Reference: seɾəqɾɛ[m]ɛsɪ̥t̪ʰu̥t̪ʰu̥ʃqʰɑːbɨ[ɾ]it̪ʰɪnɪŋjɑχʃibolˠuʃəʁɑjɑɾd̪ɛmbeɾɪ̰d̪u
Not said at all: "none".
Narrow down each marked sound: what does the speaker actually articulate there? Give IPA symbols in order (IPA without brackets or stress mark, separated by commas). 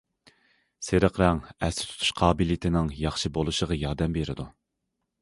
ŋ, l